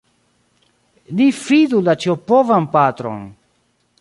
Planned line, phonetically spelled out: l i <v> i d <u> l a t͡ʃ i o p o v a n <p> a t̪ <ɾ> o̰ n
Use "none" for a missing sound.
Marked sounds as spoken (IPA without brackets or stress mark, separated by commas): f, u, p, ɾ